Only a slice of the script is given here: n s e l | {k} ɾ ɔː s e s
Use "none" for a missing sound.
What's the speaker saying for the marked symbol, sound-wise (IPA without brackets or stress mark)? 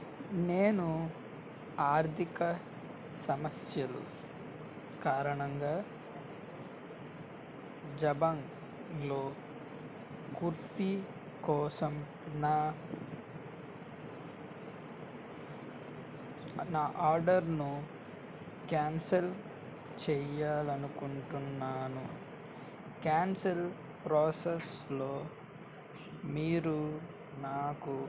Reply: p